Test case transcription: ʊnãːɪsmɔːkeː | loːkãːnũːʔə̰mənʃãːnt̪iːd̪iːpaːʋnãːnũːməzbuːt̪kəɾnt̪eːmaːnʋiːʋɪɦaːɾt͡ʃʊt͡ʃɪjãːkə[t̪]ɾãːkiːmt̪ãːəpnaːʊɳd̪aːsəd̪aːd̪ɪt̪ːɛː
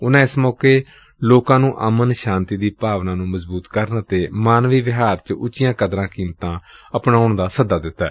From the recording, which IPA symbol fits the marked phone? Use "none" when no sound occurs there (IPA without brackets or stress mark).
d̪